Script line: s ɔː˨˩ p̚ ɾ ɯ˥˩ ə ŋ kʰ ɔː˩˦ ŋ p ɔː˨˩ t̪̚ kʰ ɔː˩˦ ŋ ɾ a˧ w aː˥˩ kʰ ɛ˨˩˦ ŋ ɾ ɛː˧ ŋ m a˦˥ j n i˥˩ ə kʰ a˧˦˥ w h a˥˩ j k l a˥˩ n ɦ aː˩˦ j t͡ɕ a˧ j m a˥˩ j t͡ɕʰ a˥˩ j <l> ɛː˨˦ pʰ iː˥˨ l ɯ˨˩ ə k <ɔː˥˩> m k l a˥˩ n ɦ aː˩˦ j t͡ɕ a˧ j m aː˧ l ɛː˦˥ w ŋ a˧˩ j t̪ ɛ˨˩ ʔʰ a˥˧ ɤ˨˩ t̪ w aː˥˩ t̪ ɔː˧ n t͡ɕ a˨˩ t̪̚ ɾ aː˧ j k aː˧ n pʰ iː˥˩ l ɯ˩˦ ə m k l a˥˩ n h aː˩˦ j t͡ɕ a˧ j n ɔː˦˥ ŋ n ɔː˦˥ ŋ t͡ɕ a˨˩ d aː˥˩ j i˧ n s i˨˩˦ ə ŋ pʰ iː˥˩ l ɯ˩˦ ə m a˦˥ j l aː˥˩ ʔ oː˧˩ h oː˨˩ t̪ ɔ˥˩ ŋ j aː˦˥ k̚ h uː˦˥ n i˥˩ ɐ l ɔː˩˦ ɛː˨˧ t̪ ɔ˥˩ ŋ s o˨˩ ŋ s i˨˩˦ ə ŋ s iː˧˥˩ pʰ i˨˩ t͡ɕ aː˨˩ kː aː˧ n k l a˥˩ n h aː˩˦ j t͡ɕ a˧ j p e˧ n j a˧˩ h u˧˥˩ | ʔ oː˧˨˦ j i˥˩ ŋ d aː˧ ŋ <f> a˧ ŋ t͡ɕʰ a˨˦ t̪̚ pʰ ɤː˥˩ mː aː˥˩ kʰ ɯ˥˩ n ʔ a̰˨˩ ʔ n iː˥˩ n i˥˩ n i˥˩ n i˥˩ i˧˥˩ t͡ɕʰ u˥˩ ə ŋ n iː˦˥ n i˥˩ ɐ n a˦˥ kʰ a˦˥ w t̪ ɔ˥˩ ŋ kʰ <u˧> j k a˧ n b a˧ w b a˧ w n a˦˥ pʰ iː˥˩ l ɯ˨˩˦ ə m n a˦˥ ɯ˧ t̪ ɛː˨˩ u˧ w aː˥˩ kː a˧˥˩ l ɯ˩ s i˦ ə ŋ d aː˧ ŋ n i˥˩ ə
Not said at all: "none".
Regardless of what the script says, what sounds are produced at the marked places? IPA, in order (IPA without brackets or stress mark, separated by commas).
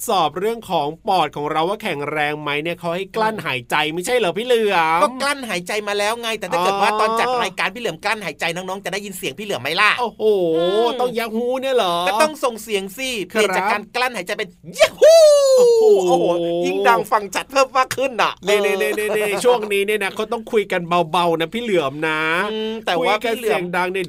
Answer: l, ɔː˥, f, u˧